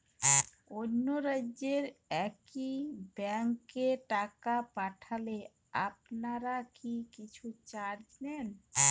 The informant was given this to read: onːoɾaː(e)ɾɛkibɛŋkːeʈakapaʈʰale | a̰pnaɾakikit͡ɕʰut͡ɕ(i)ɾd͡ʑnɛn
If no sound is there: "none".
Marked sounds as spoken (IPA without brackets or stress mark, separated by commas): e, a